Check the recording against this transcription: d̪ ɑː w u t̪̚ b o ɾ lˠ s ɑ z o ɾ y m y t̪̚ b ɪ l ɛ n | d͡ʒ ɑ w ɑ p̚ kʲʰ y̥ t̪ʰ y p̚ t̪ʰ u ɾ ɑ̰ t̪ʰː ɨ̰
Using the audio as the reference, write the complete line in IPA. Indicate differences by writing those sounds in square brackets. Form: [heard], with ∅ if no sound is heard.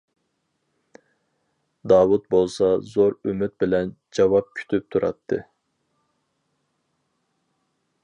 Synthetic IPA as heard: d̪ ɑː w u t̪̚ b o [∅] lˠ s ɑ z o ɾ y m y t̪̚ b ɪ l ɛ n | d͡ʒ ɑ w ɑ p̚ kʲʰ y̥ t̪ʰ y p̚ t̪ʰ u ɾ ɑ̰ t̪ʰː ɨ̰